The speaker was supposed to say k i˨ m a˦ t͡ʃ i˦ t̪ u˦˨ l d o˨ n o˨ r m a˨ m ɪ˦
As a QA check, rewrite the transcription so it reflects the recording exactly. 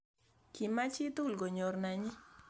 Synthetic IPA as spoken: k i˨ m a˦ t͡ʃ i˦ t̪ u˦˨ l ɡ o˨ ɲ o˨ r n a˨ ɲ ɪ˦